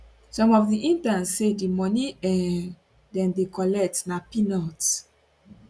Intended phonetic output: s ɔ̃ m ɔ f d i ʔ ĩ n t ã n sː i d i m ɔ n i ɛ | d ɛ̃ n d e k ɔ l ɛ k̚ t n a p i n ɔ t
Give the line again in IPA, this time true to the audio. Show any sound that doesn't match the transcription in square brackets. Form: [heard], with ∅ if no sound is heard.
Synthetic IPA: s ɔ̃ m ɔ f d i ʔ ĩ n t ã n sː [e] d i m ɔ n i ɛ | d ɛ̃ n d e k ɔ l ɛ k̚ t n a p i n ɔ t